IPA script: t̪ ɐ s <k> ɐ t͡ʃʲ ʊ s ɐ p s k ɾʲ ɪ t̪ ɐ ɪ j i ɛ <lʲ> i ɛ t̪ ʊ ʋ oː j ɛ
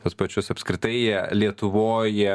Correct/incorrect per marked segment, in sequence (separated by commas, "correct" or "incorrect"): incorrect, correct